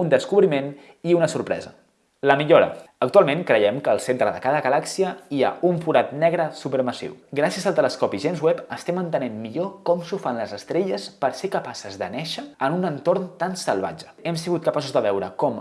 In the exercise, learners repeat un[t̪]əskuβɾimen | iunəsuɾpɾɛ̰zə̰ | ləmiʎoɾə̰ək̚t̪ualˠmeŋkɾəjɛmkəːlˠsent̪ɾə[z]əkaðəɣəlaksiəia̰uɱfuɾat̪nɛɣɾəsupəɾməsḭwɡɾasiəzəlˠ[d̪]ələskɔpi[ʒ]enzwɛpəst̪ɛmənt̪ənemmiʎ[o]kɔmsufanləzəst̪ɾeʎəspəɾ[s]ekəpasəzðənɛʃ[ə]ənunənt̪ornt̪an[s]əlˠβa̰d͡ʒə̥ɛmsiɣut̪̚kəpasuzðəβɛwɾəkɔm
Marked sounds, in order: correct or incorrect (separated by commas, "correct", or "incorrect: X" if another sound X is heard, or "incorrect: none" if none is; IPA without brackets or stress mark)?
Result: incorrect: d̪, incorrect: ð, incorrect: t̪, correct, correct, correct, correct, correct